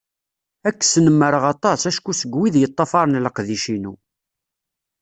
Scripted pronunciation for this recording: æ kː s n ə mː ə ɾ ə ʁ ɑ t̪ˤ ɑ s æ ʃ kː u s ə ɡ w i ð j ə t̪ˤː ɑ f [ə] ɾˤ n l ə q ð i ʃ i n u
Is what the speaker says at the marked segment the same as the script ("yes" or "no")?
no